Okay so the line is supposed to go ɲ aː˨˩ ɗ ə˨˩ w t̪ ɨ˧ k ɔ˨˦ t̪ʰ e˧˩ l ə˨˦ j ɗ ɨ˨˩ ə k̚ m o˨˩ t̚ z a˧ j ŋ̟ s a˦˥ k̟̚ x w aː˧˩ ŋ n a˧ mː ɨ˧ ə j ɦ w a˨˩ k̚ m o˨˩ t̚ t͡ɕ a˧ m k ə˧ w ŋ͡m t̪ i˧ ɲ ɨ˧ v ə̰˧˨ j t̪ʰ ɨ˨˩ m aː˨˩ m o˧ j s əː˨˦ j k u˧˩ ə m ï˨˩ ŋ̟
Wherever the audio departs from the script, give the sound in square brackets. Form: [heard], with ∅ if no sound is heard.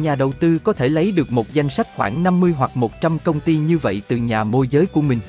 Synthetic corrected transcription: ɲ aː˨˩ ɗ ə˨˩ w t̪ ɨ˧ k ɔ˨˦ t̪ʰ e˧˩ l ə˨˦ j ɗ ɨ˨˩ ə k̚ m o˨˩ t̚ z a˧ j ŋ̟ s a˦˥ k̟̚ x w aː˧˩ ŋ n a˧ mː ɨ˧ ə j ɦ w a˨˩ k̚ m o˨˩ t̚ t͡ɕ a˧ m k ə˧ w ŋ͡m t̪ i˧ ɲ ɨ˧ v ə̰˧˨ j [t̪] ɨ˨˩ [ɲ] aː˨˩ m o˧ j [z] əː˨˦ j k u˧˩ ə m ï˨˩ ŋ̟